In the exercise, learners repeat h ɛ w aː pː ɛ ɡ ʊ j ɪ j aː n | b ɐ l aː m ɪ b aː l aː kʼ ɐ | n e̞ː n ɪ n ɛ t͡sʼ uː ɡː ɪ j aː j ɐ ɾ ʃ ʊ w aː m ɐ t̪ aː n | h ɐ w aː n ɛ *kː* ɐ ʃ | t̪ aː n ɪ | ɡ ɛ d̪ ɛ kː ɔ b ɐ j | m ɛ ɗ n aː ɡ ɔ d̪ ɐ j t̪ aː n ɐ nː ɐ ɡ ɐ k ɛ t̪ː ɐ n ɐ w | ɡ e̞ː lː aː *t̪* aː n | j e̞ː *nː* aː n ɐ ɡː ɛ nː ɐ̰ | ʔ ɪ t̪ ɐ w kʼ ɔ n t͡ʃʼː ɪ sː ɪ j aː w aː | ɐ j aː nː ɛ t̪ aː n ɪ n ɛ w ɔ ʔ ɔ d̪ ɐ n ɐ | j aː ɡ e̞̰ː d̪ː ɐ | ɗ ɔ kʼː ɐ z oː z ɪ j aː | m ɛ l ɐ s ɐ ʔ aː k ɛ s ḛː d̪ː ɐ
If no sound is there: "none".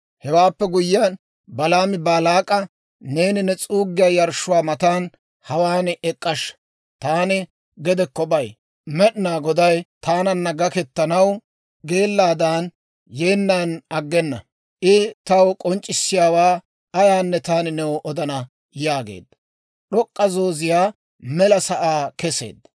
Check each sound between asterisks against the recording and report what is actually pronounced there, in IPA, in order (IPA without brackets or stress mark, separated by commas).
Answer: kʼː, d̪, nː